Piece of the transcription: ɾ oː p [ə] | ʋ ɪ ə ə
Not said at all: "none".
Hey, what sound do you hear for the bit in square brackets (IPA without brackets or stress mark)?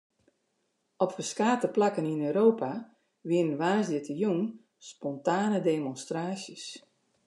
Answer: a